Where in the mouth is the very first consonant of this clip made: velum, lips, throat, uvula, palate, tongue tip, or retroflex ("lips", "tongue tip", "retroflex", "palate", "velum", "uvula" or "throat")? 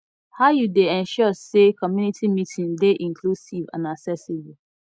throat